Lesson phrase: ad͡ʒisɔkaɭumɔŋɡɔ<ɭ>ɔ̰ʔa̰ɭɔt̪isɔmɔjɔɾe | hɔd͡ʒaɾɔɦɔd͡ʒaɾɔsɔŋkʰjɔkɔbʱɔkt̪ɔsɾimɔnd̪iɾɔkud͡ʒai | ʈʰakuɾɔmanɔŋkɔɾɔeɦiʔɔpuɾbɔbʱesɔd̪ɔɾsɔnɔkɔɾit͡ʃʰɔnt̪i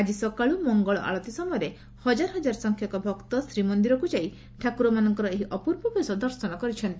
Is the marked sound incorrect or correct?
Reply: correct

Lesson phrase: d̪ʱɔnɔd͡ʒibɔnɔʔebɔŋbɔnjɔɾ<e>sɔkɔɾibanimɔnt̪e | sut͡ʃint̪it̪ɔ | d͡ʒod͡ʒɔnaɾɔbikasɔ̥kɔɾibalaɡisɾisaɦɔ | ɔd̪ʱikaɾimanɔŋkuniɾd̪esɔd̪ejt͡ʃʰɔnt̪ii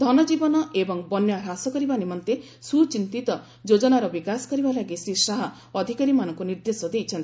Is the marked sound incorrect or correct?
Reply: incorrect: a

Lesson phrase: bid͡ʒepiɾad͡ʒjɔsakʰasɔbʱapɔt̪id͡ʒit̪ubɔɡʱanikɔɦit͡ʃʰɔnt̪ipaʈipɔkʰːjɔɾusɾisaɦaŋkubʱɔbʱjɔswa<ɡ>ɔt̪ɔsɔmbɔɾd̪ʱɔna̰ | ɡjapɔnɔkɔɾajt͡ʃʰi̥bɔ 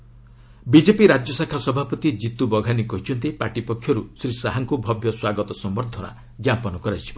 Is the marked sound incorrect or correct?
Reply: correct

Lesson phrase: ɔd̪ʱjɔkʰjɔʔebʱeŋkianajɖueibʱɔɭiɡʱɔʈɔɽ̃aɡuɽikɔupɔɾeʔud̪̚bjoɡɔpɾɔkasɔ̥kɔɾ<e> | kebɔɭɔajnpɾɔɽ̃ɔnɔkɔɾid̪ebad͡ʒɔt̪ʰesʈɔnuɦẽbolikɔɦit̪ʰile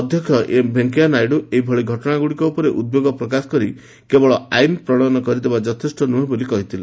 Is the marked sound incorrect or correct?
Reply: incorrect: i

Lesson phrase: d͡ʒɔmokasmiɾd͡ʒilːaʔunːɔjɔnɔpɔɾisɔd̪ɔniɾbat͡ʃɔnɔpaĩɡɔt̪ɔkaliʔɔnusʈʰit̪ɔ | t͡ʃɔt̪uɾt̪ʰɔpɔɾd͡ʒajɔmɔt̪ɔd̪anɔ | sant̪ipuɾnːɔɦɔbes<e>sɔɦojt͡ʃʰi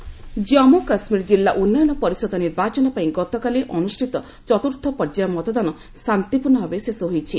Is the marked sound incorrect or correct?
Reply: correct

